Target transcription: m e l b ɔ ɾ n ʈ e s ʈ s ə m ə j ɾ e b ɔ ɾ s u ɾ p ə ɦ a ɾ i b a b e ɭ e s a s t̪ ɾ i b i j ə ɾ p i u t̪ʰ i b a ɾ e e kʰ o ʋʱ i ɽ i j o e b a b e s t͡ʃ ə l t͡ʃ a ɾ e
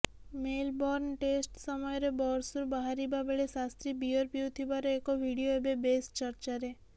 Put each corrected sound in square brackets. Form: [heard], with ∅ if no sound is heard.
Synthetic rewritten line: m e l b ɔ ɾ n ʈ e s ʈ s ə m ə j ɾ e b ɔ ɾ s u ɾ [b] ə ɦ a ɾ i b a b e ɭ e s a s t̪ ɾ i b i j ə ɾ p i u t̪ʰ i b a ɾ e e [k] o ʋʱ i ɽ i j o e b [e] b e s t͡ʃ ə [ɾ] t͡ʃ a ɾ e